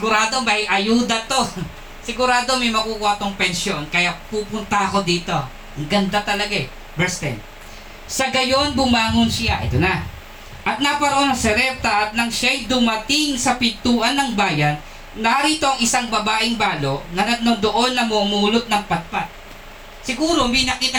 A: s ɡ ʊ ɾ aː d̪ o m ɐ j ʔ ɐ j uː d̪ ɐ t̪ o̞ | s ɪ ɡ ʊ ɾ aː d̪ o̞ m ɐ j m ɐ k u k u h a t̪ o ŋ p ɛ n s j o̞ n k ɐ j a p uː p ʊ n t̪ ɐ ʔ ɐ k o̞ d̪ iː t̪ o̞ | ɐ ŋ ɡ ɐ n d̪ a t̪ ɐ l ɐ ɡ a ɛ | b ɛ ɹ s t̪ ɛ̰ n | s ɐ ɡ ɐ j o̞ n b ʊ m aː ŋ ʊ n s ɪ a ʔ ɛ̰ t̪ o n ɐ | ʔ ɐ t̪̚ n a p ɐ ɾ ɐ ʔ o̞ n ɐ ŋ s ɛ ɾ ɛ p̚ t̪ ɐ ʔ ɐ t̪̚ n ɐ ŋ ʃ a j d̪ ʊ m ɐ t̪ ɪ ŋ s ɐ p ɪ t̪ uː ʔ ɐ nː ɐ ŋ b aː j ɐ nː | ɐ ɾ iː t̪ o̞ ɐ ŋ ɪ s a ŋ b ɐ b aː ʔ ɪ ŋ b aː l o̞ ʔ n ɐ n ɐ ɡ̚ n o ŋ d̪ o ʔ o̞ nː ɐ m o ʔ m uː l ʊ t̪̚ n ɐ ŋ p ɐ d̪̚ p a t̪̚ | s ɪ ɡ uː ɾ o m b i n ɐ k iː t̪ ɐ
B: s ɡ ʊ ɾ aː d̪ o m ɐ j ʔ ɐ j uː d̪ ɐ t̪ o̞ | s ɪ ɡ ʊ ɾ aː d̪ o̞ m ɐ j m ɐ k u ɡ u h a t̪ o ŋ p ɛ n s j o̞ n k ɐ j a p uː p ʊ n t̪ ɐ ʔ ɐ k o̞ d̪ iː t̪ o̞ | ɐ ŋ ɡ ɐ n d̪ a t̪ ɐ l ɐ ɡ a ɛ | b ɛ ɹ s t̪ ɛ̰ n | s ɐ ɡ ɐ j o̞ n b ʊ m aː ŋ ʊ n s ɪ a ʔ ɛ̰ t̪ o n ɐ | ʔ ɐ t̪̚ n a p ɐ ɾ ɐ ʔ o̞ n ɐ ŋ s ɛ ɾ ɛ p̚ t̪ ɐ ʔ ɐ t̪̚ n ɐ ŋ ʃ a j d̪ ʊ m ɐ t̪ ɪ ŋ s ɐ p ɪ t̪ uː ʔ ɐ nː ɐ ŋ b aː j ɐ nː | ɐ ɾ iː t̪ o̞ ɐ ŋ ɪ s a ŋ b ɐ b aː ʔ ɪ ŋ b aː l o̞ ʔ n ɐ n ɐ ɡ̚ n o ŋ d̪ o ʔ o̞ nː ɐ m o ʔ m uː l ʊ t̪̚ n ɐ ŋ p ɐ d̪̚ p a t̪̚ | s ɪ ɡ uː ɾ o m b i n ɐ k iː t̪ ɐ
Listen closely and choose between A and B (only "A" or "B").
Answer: A